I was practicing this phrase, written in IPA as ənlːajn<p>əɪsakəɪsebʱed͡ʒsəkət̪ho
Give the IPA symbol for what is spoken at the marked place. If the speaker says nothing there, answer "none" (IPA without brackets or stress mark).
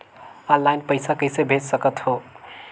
p